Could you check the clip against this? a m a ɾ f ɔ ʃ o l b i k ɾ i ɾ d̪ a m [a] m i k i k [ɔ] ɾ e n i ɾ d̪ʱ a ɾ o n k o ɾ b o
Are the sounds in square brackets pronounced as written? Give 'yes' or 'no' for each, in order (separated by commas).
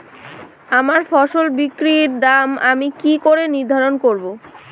yes, no